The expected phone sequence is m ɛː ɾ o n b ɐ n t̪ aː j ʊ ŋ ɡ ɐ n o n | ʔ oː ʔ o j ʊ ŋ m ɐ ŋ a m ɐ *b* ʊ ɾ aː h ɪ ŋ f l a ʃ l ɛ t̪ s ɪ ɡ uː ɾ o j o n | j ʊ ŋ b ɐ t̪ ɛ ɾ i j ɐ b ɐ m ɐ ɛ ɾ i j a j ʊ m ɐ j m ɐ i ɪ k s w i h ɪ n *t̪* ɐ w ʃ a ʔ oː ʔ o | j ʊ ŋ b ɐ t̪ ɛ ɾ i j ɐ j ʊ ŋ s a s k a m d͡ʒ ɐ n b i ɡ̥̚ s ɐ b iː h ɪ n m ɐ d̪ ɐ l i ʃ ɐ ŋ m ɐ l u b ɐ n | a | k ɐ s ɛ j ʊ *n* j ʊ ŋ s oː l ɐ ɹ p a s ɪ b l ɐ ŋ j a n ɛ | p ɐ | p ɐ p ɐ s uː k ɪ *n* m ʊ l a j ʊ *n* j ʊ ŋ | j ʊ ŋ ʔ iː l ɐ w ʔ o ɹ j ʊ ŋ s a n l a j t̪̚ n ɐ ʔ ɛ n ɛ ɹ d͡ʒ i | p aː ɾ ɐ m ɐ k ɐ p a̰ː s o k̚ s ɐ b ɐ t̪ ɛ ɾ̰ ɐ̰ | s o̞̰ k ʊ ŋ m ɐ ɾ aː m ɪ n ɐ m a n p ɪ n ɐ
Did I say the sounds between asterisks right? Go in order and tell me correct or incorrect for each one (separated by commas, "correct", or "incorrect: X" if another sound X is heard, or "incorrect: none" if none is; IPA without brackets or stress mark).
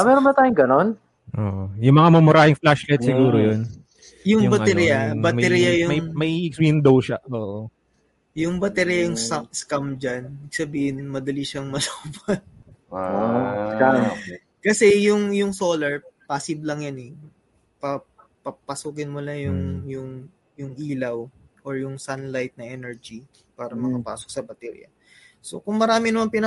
incorrect: m, incorrect: d̪, incorrect: ŋ, correct, incorrect: ŋ